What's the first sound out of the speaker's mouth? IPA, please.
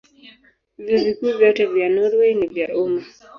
v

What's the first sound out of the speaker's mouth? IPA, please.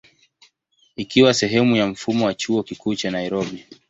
i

